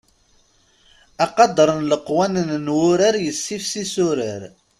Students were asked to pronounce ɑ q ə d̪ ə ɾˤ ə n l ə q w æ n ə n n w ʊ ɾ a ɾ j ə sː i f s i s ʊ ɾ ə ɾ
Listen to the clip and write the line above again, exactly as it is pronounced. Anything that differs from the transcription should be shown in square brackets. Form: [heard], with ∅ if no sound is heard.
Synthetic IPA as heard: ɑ q [ɑ] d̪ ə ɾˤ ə n l ə q w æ n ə n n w ʊ ɾ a ɾ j ə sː i f s i s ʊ ɾ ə ɾ